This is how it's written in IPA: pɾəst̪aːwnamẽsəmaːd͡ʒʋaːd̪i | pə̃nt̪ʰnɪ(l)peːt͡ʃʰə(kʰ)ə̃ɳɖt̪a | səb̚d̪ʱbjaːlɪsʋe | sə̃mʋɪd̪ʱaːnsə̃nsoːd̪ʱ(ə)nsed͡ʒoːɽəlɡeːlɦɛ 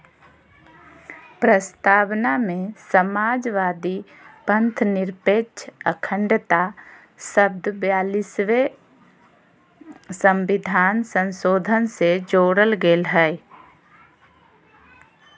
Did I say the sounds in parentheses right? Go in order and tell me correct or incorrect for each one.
incorrect: ɾ, correct, correct

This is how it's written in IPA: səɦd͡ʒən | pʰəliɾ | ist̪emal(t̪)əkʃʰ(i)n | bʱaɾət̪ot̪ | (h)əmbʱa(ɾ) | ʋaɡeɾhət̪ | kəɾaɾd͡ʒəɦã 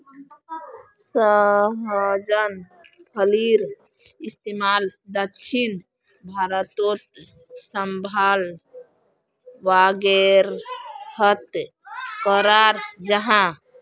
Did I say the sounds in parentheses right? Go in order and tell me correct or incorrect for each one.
incorrect: d̪, correct, incorrect: s, incorrect: l

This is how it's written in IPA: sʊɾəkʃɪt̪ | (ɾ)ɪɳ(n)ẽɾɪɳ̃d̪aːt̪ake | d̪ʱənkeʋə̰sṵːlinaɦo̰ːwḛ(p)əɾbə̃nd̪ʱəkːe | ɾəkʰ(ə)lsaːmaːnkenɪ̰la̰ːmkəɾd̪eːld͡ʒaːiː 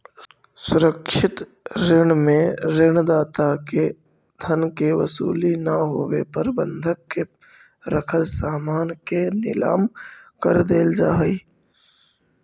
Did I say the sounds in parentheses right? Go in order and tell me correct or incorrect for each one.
correct, incorrect: m, correct, correct

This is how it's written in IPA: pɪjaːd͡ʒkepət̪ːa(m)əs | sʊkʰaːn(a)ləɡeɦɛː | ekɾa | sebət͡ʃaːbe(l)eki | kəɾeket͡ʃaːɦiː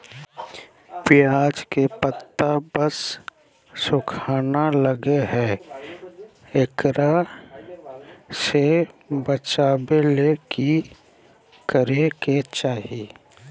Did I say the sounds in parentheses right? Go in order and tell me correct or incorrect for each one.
incorrect: b, correct, correct

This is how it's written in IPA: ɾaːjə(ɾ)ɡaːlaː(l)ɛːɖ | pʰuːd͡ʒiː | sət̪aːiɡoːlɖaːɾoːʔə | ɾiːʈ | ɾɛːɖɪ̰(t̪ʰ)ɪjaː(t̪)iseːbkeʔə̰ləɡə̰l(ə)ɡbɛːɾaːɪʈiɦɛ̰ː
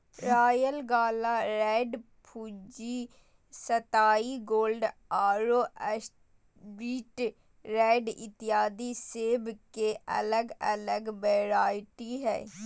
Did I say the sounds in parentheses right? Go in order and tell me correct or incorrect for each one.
incorrect: l, incorrect: ɾ, incorrect: t̪, incorrect: d̪, correct

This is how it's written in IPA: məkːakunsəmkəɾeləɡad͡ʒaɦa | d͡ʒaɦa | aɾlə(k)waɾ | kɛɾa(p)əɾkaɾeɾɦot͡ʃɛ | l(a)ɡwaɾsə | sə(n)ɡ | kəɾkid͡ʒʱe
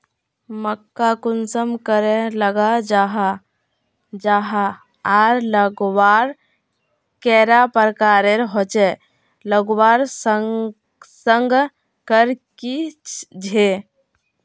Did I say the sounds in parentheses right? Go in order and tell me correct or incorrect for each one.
incorrect: ɡ, correct, incorrect: ə, incorrect: ŋ

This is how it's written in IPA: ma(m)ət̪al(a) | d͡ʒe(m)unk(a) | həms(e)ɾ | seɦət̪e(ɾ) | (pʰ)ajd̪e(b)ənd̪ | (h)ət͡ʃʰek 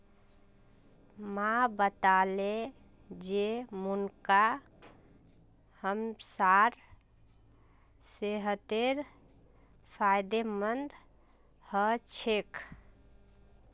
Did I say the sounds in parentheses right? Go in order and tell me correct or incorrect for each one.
incorrect: b, incorrect: e, correct, correct, incorrect: a, correct, correct, incorrect: m, correct

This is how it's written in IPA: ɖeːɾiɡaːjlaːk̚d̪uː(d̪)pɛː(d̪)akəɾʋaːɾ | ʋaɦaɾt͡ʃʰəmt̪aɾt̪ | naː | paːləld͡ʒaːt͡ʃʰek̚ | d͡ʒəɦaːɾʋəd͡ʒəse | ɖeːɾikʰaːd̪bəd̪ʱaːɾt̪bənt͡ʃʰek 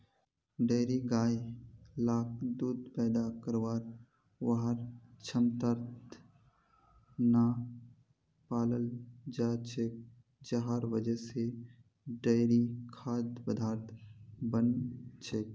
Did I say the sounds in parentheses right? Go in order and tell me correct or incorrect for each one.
correct, correct

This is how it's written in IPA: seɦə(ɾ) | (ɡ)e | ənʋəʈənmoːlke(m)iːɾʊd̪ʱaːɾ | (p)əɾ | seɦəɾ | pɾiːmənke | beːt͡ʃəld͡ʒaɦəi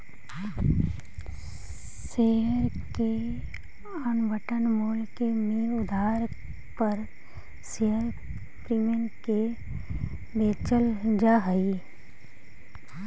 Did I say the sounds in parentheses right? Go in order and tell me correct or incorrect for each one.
correct, incorrect: k, correct, correct

